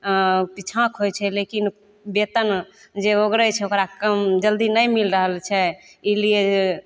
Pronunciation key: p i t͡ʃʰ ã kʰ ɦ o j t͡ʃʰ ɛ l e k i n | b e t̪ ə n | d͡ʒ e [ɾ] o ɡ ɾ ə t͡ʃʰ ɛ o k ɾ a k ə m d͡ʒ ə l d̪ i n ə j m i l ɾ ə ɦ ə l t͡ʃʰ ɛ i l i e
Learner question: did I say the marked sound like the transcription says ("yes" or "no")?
no